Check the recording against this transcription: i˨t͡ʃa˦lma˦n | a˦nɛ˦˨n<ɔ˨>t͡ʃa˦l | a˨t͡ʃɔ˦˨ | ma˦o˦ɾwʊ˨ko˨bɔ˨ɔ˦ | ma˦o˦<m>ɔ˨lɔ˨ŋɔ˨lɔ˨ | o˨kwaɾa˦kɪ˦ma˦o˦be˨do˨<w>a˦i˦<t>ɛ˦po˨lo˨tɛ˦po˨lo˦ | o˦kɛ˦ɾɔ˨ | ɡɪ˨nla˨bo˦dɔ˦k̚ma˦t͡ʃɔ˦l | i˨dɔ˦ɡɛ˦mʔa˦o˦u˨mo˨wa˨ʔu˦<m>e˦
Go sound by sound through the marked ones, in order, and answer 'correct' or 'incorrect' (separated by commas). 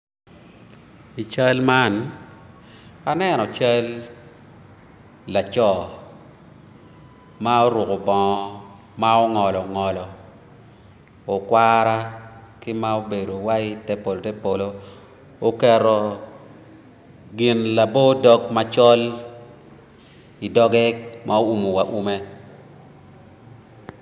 correct, incorrect, correct, correct, correct